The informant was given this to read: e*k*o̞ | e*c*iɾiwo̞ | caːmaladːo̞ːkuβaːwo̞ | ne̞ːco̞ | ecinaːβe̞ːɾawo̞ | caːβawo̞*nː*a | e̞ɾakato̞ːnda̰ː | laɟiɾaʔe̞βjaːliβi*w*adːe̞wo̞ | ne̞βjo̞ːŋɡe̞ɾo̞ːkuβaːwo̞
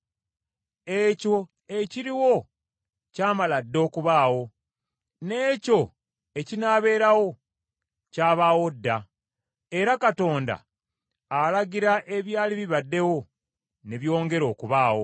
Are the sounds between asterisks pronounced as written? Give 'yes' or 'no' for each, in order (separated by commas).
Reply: no, yes, no, no